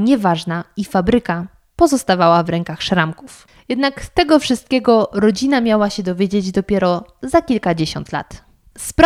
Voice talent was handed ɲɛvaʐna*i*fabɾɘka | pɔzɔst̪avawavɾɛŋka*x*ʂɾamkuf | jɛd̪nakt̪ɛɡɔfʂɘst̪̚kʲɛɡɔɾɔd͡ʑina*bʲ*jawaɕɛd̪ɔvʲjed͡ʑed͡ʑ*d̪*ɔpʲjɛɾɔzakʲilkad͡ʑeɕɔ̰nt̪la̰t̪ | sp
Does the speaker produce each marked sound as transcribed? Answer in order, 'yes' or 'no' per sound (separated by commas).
yes, yes, no, yes